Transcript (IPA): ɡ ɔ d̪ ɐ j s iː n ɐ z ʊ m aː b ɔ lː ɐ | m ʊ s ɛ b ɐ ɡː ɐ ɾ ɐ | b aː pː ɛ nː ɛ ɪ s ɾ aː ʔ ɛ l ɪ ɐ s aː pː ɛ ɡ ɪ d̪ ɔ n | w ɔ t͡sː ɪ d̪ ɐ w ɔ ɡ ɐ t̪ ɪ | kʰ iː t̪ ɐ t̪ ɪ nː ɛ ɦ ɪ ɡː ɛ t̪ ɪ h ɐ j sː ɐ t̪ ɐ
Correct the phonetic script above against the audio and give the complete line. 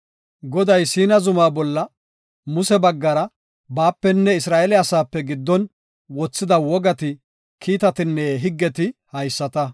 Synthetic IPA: ɡ ɔ d̪ ɐ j s iː n ɐ z ʊ m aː b ɔ lː ɐ | m ʊ s ɛ b ɐ ɡː ɐ ɾ ɐ | b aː pː ɛ nː ɛ ɪ s ɾ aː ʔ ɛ l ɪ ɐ s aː pː ɛ ɡ ɪ d̪ː ɔ n | w ɔ t͡sː ɪ d̪ ɐ w ɔ ɡ ɐ t̪ ɪ | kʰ iː t̪ ɐ t̪ ɪ nː ɛ ɦ ɪ ɡː ɛ t̪ ɪ h ɐ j sː ɐ t̪ ɐ